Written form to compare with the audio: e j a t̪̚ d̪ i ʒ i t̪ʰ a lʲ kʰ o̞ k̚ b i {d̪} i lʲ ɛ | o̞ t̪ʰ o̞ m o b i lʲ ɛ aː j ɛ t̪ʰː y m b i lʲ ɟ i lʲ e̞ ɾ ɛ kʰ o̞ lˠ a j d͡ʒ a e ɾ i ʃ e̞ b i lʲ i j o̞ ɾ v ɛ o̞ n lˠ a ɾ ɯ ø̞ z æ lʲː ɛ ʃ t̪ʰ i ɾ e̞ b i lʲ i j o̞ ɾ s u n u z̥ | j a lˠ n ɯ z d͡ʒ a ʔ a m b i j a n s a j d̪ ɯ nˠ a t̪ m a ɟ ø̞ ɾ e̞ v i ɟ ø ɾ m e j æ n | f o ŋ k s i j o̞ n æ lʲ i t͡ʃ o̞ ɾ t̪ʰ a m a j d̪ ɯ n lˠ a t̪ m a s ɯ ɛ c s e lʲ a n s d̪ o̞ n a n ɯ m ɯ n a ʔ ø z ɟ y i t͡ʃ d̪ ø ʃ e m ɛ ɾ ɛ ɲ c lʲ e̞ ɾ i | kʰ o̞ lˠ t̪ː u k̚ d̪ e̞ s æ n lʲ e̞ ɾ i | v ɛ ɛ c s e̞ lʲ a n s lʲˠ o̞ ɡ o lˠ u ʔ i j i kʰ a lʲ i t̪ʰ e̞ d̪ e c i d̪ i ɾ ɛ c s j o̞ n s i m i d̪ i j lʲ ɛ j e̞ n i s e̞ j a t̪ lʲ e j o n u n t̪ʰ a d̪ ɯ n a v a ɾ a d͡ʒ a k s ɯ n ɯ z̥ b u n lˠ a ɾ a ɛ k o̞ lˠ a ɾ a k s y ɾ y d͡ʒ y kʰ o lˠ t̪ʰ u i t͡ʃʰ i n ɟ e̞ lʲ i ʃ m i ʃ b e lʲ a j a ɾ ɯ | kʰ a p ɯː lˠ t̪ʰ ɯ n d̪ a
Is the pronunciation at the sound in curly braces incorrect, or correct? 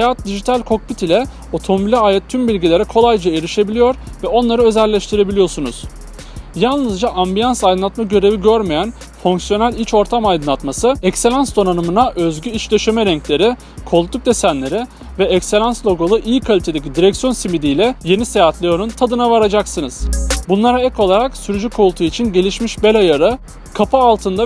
incorrect